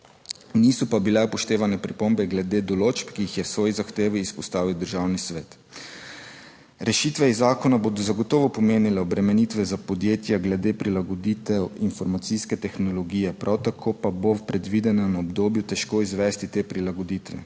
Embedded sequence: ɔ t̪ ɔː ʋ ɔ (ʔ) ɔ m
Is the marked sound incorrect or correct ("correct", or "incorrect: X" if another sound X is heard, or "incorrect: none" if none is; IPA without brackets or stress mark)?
incorrect: p